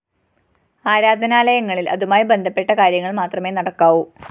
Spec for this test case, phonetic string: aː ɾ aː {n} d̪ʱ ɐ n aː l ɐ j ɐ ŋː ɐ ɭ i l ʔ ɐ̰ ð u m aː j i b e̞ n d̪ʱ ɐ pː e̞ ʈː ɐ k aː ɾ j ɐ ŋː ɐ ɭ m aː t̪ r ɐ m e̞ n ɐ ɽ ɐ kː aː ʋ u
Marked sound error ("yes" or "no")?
yes